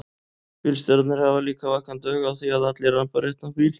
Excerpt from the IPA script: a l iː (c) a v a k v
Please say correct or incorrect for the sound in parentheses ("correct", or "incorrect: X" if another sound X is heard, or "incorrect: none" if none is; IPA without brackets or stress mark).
incorrect: k